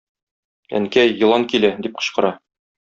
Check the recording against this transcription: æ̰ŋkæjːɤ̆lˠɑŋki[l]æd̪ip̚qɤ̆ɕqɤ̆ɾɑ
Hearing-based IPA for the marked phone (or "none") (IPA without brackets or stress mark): l